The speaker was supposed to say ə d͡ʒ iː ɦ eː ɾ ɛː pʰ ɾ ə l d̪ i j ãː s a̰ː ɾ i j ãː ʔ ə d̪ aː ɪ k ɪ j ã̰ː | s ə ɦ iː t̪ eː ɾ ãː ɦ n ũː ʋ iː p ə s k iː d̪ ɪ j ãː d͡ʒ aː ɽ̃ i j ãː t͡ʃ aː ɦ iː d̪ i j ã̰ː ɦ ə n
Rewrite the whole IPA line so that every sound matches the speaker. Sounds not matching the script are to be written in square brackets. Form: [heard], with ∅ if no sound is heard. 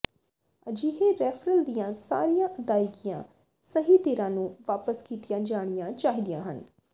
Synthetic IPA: ə d͡ʒ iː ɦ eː ɾ ɛː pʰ ɾ ə l d̪ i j ãː s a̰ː ɾ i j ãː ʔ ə d̪ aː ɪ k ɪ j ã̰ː | s ə ɦ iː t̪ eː ɾ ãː [∅] n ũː ʋ [aː] p ə s k iː [t̪] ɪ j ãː d͡ʒ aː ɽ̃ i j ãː t͡ʃ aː ɦ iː d̪ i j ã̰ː ɦ ə n